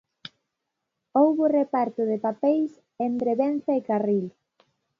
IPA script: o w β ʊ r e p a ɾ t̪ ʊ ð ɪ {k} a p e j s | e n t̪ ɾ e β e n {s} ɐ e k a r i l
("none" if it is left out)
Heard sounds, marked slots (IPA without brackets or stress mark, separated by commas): p, θ